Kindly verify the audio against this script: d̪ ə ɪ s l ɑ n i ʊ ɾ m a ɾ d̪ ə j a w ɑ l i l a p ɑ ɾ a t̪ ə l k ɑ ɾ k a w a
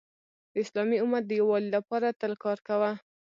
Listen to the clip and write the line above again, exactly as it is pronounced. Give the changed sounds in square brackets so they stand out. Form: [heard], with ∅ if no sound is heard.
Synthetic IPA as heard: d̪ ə ɪ s l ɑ [m] i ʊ [∅] m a ɾ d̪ ə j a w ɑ l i l a p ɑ ɾ a t̪ ə l k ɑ ɾ k a w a